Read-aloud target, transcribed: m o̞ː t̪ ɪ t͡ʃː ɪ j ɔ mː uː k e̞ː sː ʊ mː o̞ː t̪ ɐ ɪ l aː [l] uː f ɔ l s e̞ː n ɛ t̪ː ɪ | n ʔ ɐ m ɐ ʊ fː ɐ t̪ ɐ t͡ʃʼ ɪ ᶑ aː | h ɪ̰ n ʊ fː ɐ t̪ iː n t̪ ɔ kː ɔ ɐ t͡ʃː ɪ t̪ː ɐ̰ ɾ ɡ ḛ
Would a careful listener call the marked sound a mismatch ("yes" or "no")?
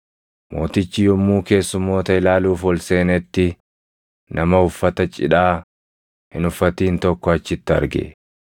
no